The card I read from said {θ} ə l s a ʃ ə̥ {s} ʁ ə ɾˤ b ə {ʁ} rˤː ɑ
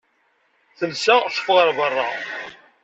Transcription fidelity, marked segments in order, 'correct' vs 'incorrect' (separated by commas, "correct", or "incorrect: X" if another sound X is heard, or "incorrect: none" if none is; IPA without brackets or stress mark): correct, incorrect: f, incorrect: none